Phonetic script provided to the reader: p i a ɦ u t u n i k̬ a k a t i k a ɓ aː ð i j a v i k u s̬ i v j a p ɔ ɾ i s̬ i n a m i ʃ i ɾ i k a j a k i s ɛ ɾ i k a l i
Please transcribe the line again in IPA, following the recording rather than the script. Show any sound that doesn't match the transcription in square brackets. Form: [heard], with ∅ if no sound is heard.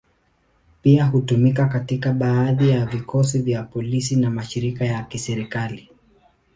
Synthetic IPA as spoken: p i a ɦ u t u [m] i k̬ a k a t i k a ɓ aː ð i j a v i k [ɔ] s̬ i v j a p ɔ [l] i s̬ i n a m [a] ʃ i ɾ i k a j a k i s ɛ ɾ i k a l i

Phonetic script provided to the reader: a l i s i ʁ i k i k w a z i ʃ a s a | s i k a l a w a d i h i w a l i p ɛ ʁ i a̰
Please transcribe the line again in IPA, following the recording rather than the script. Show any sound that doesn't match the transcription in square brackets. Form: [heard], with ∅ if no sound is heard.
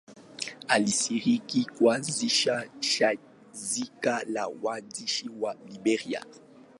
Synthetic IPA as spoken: a l i s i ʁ i k i k w a z i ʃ a [ʃ] a | [z] i k a l a w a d i [ʃ] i w a l i [b] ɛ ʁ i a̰

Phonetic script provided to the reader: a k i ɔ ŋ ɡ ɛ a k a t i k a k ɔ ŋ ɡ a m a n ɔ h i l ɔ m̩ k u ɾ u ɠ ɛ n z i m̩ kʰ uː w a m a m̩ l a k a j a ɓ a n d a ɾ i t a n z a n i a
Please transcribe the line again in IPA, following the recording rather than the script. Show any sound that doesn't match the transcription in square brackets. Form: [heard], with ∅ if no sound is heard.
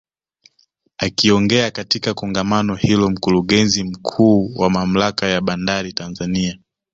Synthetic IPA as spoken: a k i ɔ ŋ ɡ ɛ a k a t i k a k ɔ ŋ ɡ a m a n ɔ h i l ɔ m̩ k u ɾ u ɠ ɛ n z i m̩ kʰ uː w a m a m̩ l a k a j a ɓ a n d a ɾ i t a n z a n i a

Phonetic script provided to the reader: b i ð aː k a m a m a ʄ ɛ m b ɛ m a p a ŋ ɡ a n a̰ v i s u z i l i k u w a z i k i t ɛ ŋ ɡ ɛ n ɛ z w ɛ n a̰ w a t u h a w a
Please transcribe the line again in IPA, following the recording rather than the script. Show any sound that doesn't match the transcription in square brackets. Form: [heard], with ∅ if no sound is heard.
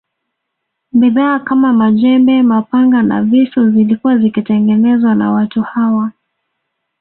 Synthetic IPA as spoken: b i ð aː k a m a m a ʄ ɛ m b ɛ m a p a ŋ ɡ a n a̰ v i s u z i l i k u w a z i k i t ɛ ŋ ɡ ɛ n ɛ z w [a] n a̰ w a t u h a w a

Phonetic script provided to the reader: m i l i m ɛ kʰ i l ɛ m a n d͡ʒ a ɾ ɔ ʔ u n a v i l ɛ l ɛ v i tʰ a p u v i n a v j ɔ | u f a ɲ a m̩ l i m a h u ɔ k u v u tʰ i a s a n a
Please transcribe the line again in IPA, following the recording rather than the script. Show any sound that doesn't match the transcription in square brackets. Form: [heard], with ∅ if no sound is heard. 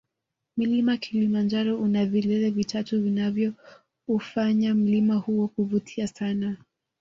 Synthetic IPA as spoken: m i l i m [a] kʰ i l [i] m a n d͡ʒ a ɾ ɔ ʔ u n a v i l ɛ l ɛ v i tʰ a [t] u v i n a v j ɔ | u f a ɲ a m̩ l i m a h u ɔ k u v u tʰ i a s a n a

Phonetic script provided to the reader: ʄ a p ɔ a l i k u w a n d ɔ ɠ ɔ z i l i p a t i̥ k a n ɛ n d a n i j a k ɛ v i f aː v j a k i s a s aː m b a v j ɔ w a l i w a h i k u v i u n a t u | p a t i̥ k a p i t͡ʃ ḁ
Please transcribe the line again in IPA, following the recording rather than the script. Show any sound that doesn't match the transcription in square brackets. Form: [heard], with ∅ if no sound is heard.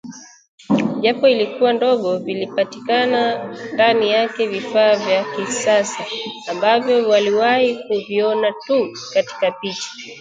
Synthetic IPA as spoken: ʄ a p ɔ [i] l i k u w a n d ɔ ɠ ɔ [v] i l i p a t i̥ k a n [a] n d a n i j a k ɛ v i f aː v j a k i s a s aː m b a v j ɔ w a l i w a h i k u v i [ɔ] n a t u | [k] a t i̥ k a p i t͡ʃ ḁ

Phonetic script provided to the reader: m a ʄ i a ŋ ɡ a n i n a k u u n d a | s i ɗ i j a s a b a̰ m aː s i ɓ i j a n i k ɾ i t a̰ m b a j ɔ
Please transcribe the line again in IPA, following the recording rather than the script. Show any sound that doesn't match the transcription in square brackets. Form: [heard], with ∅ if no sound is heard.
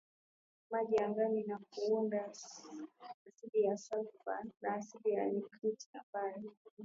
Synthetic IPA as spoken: m a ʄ i a ŋ ɡ a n i n a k u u n d a | s i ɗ i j a s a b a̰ [n] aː s i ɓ i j a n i k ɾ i t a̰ m b a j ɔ

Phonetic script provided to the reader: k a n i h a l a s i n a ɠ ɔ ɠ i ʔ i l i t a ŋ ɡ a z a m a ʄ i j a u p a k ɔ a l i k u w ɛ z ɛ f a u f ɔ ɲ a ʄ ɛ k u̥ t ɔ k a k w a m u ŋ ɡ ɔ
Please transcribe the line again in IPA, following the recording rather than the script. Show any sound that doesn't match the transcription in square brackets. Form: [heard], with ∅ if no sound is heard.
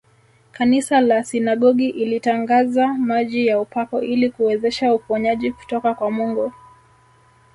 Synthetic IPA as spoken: k a n i [s] a l a s i n a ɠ ɔ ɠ i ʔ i l i t a ŋ ɡ a z a m a ʄ i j a u p a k ɔ [i] l i k u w ɛ z ɛ [ʃ] a u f ɔ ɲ a ʄ [i] k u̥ t ɔ k a k w a m u ŋ ɡ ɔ

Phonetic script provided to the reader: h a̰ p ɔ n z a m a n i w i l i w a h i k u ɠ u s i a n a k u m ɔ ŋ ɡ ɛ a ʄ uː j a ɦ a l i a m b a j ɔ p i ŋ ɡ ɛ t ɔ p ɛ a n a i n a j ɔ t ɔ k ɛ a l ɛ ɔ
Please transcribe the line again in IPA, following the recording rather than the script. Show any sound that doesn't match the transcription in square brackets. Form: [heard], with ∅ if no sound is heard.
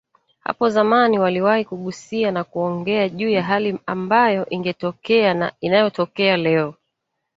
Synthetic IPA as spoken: h a̰ p ɔ [∅] z a m a n i w [a] l i w a h i k u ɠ u s i a n a k u [∅] ɔ ŋ ɡ ɛ a ʄ uː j a ɦ a l i a m b a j ɔ [ʔ] i ŋ ɡ ɛ t ɔ [k] ɛ a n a i n a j ɔ t ɔ k ɛ a l ɛ ɔ

